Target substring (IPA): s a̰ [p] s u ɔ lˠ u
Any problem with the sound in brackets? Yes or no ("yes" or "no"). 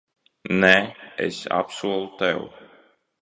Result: no